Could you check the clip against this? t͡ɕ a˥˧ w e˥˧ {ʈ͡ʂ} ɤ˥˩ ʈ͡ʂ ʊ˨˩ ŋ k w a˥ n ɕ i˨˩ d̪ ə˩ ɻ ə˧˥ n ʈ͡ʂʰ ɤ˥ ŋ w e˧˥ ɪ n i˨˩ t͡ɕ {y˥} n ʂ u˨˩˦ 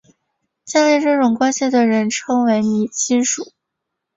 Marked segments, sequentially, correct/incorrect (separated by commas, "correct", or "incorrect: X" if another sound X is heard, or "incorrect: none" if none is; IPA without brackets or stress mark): correct, incorrect: i˥